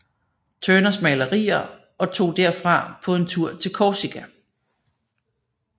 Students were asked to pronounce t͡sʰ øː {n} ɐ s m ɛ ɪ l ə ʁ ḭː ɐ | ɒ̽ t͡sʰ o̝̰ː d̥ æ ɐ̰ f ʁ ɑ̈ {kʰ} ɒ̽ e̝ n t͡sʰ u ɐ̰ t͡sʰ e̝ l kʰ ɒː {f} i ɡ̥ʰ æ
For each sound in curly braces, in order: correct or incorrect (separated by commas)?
correct, incorrect, incorrect